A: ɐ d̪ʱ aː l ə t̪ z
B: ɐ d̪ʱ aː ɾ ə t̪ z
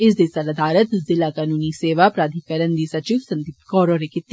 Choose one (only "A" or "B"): B